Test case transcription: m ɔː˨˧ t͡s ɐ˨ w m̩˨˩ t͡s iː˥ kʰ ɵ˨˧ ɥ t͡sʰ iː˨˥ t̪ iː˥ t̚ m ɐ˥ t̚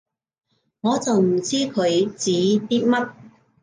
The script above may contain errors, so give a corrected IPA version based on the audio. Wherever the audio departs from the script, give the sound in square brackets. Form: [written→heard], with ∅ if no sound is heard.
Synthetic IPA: [m→ŋ] ɔː˨˧ t͡s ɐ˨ w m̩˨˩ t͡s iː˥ kʰ ɵ˨˧ ɥ [t͡sʰ→t͡s] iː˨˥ t̪ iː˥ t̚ m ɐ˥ t̚